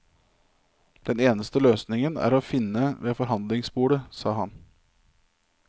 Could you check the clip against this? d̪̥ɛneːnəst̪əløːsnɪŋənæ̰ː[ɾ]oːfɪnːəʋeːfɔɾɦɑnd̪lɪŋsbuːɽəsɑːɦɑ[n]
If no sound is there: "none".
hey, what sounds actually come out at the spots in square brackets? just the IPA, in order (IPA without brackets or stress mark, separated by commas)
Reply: ɾ, n